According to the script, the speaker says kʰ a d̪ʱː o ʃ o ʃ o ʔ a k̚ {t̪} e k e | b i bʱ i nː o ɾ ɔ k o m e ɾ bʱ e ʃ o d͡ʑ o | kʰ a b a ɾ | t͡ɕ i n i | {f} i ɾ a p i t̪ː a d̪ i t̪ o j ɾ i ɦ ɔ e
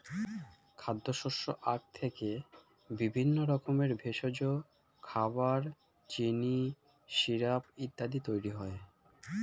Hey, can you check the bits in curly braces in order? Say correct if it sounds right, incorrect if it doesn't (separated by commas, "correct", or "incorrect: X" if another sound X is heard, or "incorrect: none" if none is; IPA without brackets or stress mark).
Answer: incorrect: t̪ʰ, incorrect: ʃ